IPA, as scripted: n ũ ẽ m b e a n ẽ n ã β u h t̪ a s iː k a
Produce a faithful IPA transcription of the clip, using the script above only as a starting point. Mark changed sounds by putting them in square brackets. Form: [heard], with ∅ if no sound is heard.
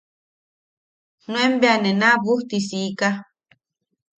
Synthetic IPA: n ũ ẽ m b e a n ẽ n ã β u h t̪ [i] s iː k a